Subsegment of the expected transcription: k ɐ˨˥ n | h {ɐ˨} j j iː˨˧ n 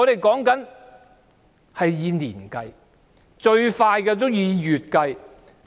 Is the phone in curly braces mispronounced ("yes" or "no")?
no